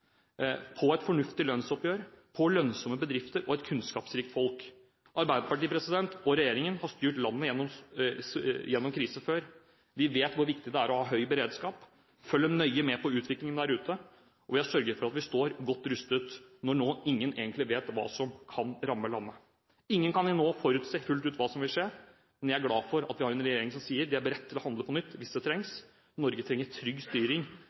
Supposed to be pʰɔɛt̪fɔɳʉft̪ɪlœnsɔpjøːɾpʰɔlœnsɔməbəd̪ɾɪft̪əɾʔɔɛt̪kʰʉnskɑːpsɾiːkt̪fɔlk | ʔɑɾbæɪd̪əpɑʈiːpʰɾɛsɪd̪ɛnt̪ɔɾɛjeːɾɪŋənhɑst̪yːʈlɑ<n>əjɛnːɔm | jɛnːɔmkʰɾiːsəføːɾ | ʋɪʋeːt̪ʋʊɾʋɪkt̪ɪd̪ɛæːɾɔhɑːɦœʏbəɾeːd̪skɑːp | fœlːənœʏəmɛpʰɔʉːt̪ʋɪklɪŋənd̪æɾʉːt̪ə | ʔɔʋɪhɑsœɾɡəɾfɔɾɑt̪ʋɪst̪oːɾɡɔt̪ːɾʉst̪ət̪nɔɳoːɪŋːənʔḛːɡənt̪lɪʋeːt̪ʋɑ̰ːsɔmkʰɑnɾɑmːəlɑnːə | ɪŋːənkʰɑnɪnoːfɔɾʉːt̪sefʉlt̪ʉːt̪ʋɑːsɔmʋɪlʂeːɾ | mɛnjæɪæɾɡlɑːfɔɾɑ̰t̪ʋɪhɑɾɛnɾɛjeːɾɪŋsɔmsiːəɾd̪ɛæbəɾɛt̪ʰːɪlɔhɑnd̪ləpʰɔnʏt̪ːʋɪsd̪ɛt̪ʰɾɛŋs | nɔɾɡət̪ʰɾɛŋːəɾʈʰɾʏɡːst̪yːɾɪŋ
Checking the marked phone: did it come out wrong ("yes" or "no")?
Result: yes